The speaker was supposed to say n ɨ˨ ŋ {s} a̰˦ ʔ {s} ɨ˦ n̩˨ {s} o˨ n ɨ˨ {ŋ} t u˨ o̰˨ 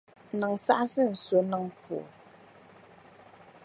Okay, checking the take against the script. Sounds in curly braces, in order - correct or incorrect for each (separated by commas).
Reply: correct, correct, correct, correct